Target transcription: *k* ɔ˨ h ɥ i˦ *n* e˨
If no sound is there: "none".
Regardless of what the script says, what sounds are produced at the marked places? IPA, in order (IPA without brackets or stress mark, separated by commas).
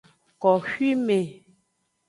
k, m